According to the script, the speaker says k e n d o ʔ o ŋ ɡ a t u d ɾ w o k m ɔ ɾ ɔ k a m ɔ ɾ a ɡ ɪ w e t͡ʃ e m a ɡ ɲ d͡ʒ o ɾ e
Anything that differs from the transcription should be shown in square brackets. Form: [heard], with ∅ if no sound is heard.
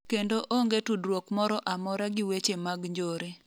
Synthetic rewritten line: k e n d o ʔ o ŋ ɡ [e] t u d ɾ w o k m ɔ ɾ ɔ [ʔ] a m ɔ ɾ a ɡ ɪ w e t͡ʃ e m a ɡ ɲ d͡ʒ o ɾ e